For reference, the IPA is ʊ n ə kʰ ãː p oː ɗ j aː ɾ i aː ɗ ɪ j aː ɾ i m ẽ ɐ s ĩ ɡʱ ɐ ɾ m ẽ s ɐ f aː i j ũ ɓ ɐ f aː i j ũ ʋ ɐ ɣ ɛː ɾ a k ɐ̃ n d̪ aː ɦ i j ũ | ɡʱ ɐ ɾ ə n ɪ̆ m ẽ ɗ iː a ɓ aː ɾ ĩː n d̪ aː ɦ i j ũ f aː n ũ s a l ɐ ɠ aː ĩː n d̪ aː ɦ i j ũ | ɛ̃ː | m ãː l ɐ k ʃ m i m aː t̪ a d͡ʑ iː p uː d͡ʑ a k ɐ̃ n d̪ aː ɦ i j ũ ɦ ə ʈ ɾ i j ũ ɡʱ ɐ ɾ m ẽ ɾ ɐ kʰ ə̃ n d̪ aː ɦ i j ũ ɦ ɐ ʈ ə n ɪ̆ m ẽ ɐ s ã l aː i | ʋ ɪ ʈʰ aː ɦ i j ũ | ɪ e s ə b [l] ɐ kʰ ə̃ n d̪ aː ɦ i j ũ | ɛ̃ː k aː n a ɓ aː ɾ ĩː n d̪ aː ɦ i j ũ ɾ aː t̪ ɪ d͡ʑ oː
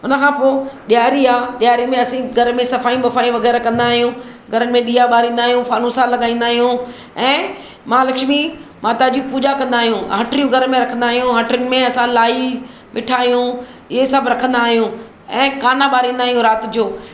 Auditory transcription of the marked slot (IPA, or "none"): ɾ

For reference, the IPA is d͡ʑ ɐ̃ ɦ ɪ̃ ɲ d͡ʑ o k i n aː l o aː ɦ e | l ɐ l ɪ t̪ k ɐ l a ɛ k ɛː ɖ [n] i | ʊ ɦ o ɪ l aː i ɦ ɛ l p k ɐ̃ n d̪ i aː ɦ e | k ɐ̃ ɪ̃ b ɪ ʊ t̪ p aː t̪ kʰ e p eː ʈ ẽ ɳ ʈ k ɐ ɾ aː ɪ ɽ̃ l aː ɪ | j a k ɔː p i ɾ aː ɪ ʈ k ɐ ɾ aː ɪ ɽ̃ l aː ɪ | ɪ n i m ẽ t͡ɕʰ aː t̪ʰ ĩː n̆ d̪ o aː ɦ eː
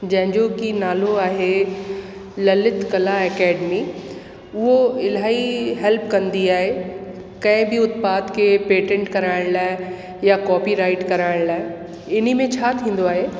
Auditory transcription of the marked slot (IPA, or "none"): m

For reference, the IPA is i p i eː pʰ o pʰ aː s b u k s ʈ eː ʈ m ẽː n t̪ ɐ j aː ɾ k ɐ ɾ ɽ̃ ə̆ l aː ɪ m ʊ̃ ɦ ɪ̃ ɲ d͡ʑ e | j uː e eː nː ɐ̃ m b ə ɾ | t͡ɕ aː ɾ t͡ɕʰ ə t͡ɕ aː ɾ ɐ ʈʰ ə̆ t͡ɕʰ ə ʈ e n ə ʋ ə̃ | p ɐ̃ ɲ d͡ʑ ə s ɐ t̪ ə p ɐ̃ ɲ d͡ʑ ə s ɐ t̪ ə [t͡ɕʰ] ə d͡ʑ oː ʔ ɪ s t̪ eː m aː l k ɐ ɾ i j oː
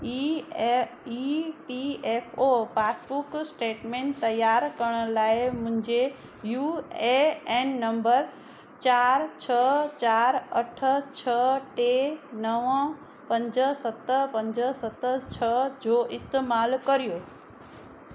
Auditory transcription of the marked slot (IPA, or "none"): t͡ɕʰ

